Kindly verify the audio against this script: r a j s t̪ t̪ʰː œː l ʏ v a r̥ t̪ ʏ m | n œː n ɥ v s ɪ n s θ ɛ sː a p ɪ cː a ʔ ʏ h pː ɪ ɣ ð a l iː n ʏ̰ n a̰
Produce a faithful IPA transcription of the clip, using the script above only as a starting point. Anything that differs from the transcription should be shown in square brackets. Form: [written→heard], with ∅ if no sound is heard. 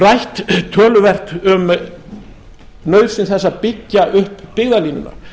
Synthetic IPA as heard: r a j [s→h] t̪ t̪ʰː œː l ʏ v [a→ɛ] r̥ t̪ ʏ m | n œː [n→∅] ɥ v s ɪ n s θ ɛ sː a p ɪ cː a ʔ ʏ h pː ɪ ɣ ð a l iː n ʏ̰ n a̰